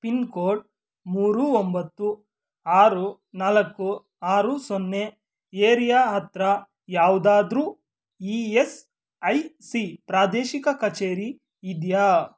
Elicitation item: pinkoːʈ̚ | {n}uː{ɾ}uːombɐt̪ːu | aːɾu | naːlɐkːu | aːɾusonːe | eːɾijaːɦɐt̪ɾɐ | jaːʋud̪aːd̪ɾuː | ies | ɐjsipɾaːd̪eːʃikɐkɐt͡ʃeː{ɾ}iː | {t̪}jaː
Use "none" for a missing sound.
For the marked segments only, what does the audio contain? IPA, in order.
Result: m, ɾ, ɾ, d̪

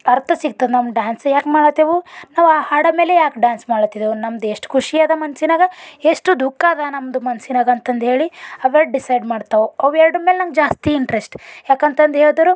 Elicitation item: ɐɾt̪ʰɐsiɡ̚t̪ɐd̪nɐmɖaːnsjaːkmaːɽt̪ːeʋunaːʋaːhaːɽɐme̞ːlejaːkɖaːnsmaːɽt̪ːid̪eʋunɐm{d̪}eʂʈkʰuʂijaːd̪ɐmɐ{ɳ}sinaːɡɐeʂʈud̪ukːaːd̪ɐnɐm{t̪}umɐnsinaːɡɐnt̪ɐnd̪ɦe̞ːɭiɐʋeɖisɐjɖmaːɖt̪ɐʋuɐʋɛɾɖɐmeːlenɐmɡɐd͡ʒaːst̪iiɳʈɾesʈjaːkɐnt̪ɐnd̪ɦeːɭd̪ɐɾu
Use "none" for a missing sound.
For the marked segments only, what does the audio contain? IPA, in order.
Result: d̪, n, d̪

